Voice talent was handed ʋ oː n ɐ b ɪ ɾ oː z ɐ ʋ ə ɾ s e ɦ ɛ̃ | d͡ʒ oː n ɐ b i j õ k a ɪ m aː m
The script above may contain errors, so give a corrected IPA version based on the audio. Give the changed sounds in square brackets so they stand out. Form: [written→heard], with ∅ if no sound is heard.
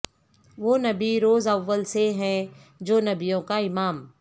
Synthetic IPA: ʋ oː n ɐ b [ɪ→i] ɾ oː z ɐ [ʋ→ʋː] ə [ɾ→l] s e ɦ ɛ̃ | d͡ʒ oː n ɐ b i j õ k a ɪ m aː m